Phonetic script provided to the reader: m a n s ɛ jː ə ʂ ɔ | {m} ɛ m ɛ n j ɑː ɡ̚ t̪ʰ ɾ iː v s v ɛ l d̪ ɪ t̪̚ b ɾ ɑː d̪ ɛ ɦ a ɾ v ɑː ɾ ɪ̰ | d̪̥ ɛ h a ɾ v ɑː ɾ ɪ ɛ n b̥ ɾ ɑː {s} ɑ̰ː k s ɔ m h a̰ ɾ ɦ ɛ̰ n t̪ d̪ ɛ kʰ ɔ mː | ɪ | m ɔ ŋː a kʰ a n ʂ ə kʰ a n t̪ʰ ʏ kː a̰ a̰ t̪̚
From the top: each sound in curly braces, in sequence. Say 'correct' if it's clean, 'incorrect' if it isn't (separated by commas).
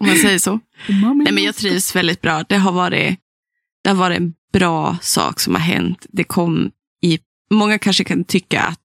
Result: incorrect, correct